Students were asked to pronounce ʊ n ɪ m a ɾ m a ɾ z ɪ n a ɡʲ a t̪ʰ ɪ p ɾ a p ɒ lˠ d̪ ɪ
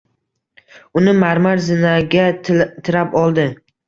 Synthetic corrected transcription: ʊ n ɪ m a ɾ m a ɾ z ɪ n a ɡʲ a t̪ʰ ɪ ɾ a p ɒ lˠ d̪ ɪ